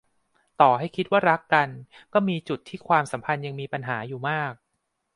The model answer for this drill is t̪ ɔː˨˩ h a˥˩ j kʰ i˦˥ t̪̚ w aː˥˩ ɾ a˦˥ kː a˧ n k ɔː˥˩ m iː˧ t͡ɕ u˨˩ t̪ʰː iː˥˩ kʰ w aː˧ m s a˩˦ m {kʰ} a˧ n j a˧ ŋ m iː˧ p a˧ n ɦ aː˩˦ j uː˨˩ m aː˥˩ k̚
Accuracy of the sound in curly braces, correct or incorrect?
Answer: incorrect